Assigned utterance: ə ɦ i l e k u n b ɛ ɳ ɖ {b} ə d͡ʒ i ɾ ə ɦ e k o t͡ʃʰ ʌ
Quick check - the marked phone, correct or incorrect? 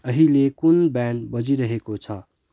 correct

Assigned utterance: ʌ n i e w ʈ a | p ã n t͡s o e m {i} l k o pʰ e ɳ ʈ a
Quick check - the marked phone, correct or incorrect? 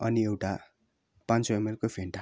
incorrect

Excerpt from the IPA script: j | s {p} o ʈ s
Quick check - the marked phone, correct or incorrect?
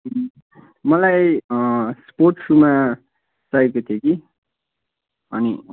correct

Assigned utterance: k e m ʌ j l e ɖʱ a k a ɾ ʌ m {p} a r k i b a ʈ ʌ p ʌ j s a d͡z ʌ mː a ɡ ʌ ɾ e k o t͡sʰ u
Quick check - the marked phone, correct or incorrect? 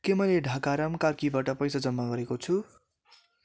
incorrect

